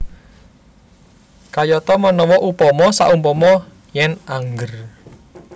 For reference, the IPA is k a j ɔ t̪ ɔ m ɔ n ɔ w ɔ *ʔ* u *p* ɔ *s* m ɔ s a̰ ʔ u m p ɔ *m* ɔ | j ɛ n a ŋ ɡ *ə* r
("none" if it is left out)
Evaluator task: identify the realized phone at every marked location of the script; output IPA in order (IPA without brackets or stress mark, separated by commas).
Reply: ʔ, p, none, m, ə